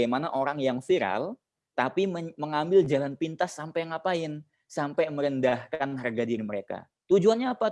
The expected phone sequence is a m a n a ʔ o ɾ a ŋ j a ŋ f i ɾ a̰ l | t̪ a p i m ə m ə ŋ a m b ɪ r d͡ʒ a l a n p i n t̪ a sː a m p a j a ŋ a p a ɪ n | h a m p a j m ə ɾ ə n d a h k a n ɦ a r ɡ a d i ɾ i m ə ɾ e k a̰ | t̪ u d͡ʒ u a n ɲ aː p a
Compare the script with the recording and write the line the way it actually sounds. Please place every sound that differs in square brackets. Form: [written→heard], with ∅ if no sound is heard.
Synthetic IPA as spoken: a m a n a ʔ o ɾ a ŋ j a ŋ f i ɾ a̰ l | t̪ a p i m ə m ə ŋ a m b ɪ [r→l] d͡ʒ a l a n p i n t̪ a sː a m p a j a ŋ a p a ɪ n | [h→s] a m p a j m ə ɾ ə n d a h k a n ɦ a r ɡ a d i ɾ i m ə ɾ e k a̰ | t̪ u d͡ʒ u a n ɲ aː p a